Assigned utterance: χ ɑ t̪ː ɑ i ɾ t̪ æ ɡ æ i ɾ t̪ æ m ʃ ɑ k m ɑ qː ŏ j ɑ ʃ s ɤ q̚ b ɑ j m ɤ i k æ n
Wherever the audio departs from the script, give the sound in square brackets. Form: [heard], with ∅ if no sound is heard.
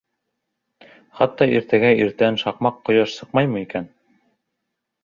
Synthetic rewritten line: χ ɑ t̪ː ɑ i ɾ t̪ æ ɡ æ i ɾ t̪ æ [n] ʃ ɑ [q] m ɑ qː ŏ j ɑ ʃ s ɤ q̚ [m] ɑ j m ɤ i k æ n